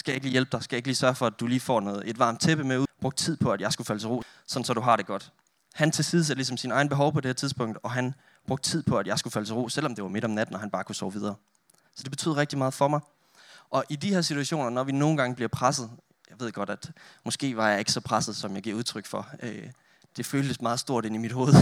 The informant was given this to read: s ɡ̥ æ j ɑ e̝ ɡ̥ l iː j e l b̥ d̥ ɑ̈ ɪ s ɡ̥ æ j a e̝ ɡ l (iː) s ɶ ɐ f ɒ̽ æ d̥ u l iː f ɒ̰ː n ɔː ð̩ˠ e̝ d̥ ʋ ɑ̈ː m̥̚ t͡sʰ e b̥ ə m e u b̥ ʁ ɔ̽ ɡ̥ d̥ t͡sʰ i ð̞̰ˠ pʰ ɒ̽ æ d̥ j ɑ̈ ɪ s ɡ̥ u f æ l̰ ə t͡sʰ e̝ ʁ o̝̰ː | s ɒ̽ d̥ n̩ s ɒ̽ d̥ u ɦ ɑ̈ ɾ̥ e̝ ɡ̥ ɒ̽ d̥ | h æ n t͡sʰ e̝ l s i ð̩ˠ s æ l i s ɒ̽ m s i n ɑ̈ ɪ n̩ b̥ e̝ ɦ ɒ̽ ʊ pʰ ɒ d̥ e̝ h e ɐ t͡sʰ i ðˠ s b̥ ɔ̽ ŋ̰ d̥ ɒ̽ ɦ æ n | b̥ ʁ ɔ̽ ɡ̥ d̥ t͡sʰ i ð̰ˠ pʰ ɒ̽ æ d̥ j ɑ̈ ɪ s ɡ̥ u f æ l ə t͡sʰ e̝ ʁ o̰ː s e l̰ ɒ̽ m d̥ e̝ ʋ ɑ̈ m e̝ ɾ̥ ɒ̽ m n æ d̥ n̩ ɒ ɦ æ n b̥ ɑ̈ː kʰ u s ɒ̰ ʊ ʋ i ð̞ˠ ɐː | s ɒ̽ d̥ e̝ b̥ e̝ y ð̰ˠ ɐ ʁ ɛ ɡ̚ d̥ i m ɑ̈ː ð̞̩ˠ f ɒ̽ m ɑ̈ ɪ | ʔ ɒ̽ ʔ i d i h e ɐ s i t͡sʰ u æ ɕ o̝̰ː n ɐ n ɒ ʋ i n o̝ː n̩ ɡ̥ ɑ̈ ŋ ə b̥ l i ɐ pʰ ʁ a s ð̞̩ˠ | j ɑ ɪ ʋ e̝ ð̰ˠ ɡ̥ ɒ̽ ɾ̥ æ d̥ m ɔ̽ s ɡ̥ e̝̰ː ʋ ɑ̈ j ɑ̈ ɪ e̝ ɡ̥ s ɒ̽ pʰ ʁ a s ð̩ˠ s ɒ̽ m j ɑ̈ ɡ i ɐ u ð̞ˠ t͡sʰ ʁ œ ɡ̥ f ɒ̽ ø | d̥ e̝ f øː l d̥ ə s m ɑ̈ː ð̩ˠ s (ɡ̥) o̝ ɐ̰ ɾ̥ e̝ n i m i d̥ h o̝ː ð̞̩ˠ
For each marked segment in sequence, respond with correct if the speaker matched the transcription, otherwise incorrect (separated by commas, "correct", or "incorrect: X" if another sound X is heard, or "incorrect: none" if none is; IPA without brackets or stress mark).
correct, incorrect: d̥